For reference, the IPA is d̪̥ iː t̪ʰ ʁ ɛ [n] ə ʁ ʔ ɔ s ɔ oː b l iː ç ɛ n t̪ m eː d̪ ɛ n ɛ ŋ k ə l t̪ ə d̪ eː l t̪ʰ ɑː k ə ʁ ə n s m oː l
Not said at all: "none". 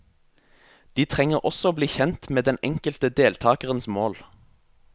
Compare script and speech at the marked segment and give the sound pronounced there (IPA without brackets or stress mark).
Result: ŋ